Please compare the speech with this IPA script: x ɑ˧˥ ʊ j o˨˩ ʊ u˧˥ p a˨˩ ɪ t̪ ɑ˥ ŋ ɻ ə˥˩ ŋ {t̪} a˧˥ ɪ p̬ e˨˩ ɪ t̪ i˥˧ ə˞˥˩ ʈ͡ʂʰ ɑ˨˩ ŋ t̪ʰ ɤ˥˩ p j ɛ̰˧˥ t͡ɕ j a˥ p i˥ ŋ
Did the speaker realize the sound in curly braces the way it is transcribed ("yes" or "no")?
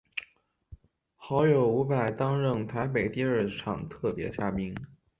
no